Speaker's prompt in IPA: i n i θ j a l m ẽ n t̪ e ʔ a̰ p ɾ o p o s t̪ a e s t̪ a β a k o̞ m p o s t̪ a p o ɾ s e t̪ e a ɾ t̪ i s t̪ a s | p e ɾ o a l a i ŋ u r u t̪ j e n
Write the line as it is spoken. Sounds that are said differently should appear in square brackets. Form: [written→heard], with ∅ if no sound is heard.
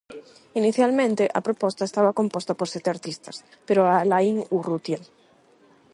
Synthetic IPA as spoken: i n i θ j a l m ẽ n t̪ e ʔ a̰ p ɾ o p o s t̪ a e s t̪ a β a k o̞ m p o s t̪ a p o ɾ s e t̪ e a ɾ t̪ i s t̪ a s | p e ɾ o a l a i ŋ u r u t̪ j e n